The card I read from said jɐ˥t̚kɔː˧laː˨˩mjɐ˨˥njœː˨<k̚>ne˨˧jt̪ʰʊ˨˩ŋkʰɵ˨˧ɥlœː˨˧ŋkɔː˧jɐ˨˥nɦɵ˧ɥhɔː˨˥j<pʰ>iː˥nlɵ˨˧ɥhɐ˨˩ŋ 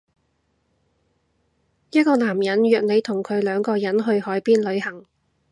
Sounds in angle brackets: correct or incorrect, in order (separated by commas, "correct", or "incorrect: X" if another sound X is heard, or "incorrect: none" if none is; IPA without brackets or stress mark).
correct, incorrect: p